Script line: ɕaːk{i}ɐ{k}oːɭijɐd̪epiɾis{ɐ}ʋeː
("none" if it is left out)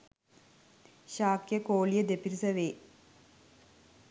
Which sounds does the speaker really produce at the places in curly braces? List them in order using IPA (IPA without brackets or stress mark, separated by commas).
j, k, ɐ